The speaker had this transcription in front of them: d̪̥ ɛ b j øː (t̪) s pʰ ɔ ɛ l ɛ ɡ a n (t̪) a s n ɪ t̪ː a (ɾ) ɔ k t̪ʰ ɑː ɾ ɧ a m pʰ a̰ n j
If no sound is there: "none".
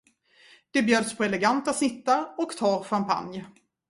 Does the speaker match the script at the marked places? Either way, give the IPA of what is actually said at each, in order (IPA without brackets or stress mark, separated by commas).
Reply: d̪, t̪, ɾ